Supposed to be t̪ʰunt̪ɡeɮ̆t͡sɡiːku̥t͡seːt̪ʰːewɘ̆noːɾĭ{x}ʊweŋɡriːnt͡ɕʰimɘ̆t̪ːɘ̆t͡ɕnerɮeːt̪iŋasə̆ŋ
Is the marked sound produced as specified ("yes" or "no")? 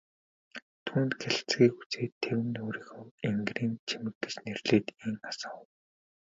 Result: yes